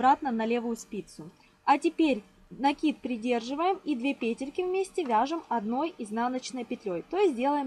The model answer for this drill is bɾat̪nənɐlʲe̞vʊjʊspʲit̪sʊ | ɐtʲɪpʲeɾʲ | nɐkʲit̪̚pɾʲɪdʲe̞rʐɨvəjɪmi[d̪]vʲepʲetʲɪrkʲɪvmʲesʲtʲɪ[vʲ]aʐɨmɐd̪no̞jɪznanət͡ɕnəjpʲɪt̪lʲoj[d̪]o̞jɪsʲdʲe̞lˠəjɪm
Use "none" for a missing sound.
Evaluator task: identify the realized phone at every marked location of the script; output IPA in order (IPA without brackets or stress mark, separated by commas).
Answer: d̪, vʲ, t̪